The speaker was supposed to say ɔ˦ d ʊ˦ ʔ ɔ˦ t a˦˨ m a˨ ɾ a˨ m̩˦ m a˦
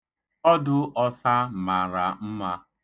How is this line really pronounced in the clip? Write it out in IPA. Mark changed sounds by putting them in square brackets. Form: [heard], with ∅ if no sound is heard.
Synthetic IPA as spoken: ɔ˦ d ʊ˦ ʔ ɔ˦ [s] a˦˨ m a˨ ɾ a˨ m̩˦ m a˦